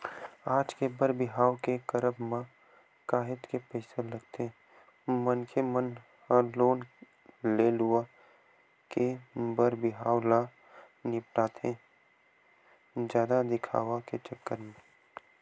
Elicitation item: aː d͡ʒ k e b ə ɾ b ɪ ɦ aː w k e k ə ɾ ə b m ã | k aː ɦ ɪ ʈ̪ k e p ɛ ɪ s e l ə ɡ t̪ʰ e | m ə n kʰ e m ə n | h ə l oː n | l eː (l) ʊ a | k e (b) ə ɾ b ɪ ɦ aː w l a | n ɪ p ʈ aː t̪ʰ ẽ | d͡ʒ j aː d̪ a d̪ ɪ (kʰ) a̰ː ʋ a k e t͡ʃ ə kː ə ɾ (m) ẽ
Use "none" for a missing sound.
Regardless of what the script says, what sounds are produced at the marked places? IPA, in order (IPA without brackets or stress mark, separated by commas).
l, b, kʰ, m